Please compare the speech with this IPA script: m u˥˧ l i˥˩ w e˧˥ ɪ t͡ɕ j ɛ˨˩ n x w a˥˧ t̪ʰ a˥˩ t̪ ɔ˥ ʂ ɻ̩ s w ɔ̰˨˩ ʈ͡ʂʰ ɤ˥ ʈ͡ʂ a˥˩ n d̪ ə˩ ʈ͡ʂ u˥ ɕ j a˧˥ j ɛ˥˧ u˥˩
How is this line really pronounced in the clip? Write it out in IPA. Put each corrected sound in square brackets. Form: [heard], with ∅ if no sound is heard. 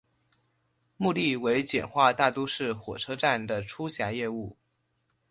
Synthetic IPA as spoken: m u˥˧ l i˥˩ w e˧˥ ɪ t͡ɕ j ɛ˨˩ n x w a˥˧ [t̪] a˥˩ t̪ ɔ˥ ʂ ɻ̩ [x] w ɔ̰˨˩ ʈ͡ʂʰ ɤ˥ ʈ͡ʂ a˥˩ n d̪ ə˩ [ʈ͡ʂʰ] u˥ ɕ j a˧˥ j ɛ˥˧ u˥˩